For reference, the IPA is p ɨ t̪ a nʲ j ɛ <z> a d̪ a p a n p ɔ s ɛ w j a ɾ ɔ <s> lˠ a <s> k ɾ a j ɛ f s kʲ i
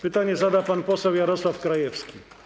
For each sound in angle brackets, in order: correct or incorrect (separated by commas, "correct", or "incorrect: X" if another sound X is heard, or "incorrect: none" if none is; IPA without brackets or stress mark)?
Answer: correct, correct, incorrect: f